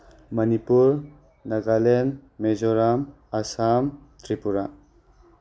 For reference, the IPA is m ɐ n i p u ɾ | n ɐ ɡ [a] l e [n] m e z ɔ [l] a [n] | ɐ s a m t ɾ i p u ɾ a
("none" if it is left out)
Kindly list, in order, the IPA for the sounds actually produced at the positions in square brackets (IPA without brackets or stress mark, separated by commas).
a, n, ɾ, m